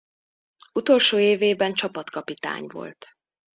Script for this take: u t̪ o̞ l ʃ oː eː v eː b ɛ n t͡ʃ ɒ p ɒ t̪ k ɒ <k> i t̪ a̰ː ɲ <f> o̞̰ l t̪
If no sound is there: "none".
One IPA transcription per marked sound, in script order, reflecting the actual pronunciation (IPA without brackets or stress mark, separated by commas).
p, v